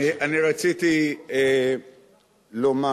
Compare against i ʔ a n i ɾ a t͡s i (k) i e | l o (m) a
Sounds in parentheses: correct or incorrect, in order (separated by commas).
incorrect, correct